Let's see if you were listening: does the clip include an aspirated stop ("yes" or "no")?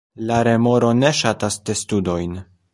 no